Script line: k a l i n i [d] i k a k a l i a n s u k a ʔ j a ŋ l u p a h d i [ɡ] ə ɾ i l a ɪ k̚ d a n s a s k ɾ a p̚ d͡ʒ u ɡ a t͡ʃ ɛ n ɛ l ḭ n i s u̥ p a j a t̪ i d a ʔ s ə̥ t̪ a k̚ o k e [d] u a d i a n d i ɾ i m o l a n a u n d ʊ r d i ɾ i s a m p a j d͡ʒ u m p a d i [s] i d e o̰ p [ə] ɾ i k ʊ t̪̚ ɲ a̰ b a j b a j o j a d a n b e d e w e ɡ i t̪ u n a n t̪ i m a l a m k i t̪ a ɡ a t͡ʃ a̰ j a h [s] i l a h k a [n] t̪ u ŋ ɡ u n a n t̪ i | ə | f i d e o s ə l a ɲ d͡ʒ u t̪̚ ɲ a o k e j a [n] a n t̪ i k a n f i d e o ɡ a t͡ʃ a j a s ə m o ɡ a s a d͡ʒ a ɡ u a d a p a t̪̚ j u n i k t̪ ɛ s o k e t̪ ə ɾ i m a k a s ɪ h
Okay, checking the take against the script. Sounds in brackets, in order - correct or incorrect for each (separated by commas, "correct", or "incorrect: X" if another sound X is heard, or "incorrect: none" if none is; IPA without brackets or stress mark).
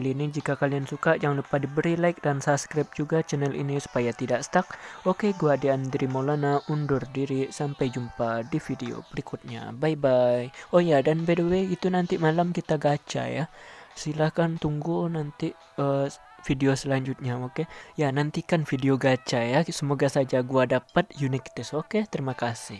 incorrect: d͡ʒ, incorrect: b, incorrect: ɡ, incorrect: f, correct, correct, correct, correct